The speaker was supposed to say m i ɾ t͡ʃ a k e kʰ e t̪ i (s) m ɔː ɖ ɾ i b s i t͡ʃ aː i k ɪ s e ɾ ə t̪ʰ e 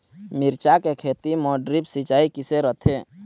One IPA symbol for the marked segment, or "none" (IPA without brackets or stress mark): none